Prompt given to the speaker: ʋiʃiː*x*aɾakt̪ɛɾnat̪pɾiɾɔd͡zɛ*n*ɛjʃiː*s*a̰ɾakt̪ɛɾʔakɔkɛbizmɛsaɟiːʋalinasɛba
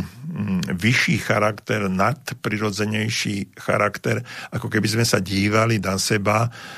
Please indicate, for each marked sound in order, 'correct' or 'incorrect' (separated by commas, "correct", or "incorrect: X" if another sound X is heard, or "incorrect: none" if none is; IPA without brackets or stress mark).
correct, incorrect: ɲ, incorrect: x